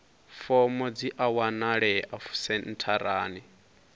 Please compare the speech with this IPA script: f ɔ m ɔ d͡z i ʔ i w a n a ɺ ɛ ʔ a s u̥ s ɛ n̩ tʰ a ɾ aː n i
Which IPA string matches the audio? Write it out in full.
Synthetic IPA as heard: f ɔ m ɔ d͡z i ʔ a w a n a ɺ ɛ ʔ a f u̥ s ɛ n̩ tʰ a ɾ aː n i